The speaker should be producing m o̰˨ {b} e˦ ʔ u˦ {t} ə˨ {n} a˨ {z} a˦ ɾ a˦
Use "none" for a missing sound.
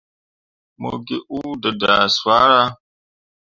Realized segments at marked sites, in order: ɡ, d, d, s

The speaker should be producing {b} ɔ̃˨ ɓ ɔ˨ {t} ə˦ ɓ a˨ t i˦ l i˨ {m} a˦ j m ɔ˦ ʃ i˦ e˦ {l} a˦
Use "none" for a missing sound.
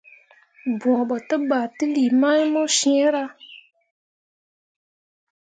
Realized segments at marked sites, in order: b, t, m, ɾ

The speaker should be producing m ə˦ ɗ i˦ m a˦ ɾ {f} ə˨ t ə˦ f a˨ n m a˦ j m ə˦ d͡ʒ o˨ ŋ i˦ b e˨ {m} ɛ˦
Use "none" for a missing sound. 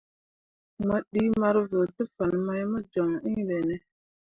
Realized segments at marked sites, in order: v, n

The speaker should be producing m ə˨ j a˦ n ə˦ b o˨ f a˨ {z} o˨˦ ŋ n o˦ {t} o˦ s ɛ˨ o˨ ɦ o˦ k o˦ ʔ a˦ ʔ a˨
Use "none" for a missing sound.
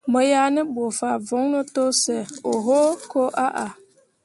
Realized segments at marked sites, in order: v, t

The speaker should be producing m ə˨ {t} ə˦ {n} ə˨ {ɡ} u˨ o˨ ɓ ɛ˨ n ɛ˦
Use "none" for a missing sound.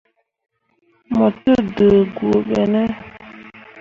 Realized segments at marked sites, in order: t, d, ɡ

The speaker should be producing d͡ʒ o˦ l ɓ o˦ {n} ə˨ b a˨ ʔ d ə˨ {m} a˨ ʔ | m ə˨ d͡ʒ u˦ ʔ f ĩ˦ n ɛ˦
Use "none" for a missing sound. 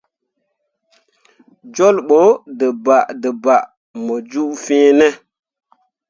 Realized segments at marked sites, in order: d, b

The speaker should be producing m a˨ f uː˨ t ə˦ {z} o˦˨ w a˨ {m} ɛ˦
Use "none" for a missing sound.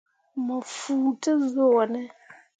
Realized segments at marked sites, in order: z, n

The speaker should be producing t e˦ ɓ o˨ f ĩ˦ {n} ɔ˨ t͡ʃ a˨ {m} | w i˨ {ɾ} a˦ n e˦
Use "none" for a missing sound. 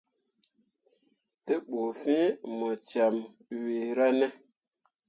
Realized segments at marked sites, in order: m, m, ɾ

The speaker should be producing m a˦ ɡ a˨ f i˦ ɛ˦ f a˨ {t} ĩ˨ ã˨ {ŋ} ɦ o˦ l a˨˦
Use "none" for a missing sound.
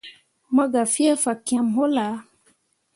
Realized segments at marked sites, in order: k, m

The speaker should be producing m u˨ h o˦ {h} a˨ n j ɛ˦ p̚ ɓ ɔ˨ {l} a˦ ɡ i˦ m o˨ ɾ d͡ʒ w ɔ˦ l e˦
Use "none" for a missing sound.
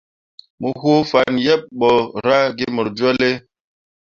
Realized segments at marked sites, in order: f, ɾ

